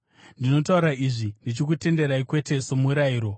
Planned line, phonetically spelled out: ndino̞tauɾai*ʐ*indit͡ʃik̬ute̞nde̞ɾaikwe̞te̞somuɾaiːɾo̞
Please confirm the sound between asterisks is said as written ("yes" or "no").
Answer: yes